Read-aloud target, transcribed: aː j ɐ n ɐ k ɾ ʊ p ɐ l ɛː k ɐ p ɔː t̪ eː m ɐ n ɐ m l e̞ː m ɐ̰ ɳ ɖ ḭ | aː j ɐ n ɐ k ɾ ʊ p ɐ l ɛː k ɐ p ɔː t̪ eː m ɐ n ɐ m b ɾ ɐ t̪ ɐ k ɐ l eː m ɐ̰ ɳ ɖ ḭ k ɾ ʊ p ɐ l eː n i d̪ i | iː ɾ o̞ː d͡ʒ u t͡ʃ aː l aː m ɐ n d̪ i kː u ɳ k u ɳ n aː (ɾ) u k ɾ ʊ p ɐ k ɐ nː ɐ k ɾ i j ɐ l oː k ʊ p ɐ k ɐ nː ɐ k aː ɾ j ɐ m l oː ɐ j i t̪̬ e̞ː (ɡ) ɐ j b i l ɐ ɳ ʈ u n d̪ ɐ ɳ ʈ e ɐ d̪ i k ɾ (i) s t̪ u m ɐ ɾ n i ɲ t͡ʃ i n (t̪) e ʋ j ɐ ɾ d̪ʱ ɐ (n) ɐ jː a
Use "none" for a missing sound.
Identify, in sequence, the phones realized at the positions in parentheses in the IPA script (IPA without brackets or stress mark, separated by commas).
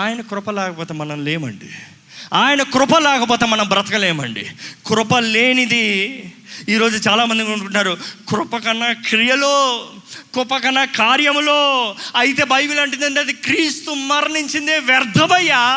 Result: ɾ, b, iː, d̪, m